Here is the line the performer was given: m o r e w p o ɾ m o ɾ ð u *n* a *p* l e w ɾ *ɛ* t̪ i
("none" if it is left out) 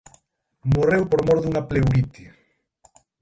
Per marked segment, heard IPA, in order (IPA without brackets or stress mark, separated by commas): ŋ, p, i